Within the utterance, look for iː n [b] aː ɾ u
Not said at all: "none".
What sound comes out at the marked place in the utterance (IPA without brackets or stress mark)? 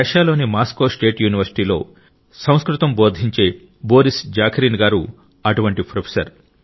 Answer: ɡ